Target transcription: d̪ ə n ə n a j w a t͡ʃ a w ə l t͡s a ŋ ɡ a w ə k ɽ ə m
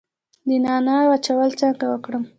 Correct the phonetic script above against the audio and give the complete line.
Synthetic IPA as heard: d̪ ə n ɑ n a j w a t͡ʃ a w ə l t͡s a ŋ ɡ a w ə k ɽ ə m